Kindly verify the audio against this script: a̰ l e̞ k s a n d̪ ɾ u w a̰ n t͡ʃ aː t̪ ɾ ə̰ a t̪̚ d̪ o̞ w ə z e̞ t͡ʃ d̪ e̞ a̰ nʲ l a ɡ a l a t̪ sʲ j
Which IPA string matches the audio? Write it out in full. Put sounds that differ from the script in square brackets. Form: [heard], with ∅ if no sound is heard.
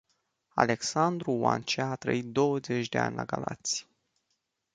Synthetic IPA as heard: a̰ l e̞ k s a n d̪ ɾ u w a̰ n t͡ʃ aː t̪ ɾ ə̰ [i] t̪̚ d̪ o̞ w ə z e̞ t͡ʃ d̪ e̞ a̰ nʲ l a ɡ a l a t̪ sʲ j